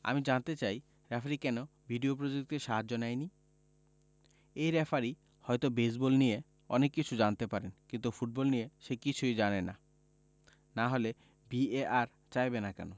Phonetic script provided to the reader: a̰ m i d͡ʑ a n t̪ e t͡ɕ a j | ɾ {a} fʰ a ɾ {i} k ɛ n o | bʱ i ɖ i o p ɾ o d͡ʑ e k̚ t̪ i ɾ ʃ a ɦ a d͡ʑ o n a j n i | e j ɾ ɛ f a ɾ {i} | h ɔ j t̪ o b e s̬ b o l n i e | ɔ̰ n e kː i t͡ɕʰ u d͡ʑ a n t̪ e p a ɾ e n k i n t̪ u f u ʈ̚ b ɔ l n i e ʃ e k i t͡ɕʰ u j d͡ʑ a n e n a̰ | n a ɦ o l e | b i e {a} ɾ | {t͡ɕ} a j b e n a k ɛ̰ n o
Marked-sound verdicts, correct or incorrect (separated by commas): incorrect, correct, correct, correct, correct